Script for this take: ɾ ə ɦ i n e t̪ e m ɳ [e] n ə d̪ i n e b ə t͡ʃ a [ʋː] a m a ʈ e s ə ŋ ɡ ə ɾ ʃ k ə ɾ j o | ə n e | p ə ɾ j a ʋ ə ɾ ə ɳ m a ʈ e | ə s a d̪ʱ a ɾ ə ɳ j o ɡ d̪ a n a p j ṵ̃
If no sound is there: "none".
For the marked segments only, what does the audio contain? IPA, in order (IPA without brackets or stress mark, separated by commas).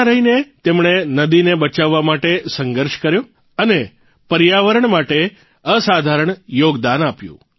e, ʋː